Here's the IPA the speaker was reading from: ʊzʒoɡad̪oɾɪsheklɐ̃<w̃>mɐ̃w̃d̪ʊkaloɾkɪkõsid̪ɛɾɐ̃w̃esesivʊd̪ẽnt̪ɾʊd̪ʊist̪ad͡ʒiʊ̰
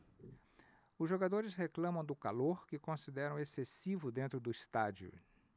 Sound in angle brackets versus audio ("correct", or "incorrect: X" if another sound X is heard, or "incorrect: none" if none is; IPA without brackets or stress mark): incorrect: none